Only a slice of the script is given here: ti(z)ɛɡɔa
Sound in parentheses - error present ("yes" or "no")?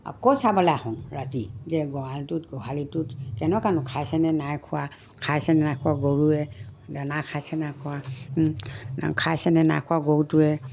no